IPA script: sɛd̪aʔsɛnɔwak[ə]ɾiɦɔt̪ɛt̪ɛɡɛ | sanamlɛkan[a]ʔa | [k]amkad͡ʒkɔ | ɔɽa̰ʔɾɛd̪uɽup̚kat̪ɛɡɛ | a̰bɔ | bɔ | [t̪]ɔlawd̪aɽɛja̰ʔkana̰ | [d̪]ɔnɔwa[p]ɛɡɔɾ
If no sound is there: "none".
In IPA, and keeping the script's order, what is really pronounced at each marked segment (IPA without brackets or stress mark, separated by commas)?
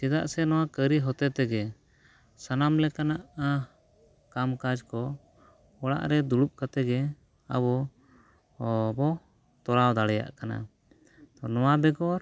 ə, a, k, t̪, t̪, b